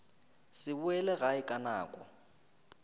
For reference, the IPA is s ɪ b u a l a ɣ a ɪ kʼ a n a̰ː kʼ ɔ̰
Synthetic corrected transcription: s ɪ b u ɛ l ɛ ɣ a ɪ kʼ a n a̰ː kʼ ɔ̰